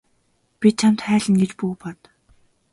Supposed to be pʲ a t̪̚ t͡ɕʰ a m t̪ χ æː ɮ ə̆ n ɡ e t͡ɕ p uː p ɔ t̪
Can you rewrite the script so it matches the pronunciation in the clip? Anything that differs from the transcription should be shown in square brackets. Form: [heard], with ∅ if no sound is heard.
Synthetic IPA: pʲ [i] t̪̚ t͡ɕʰ a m t̪ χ æː ɮ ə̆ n ɡ e t͡ɕ p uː p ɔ t̪